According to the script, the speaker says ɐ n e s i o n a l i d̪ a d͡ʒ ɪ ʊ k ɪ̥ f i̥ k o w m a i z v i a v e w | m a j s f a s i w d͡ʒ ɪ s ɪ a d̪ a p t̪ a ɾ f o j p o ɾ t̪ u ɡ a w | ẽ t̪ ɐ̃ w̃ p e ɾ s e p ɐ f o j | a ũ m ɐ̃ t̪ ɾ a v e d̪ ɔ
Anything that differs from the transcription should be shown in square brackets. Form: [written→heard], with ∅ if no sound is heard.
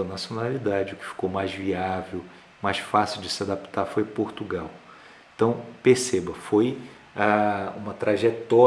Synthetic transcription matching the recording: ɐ n [e→a] s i o n a l i d̪ a d͡ʒ ɪ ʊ k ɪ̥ f i̥ k o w m a [i→j] z v i a v e w | m a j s f a s i w d͡ʒ ɪ s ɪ a d̪ a p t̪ a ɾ f o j p o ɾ t̪ u ɡ a w | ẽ t̪ ɐ̃ w̃ p e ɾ s e [p→b] ɐ f o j | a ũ m [ɐ̃→ɐ] t̪ ɾ a [v→ʒ] e [d̪→t̪] ɔ